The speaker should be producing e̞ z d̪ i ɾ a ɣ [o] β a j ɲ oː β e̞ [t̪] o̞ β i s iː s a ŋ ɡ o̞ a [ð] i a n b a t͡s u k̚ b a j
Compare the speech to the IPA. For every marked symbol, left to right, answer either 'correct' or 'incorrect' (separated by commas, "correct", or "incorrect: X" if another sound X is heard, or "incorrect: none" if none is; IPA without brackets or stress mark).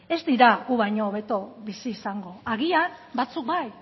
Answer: incorrect: u, correct, incorrect: ɣ